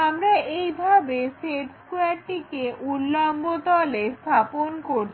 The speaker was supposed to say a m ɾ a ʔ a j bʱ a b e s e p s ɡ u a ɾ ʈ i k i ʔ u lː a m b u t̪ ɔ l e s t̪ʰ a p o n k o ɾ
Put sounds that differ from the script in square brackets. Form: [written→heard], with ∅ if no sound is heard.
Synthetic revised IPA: a m ɾ a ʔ [a→e] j bʱ a b e s e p s [ɡ→k] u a ɾ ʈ i k [i→e] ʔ u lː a m b [u→o] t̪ ɔ l e s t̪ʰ a p o n k o ɾ